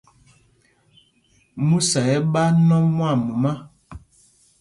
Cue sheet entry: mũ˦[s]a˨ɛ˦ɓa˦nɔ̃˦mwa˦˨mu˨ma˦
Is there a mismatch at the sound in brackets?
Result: no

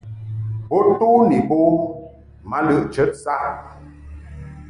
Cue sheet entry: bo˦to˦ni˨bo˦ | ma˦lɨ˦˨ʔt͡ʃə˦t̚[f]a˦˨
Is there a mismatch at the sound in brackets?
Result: yes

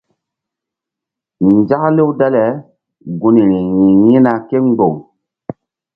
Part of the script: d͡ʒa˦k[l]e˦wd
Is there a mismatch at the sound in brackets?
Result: no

